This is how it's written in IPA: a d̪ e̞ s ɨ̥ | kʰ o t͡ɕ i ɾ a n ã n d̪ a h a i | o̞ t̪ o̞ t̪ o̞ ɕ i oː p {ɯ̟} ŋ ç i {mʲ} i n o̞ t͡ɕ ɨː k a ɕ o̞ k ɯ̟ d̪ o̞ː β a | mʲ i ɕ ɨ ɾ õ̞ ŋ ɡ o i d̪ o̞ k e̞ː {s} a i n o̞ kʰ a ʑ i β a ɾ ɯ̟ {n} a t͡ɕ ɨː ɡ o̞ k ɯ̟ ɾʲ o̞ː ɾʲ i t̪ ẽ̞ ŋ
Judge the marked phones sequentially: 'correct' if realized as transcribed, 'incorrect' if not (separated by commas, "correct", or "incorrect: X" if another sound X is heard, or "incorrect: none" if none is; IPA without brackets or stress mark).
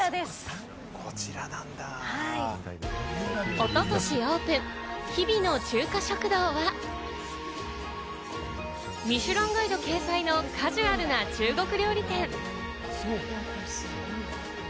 incorrect: ɯ̟̃, incorrect: bʲ, correct, correct